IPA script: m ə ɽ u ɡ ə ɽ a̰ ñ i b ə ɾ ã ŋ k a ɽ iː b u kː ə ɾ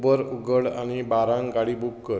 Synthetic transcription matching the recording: b ə ɾ u ɡ ə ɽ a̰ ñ i b a ɾ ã ŋ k a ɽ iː b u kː ə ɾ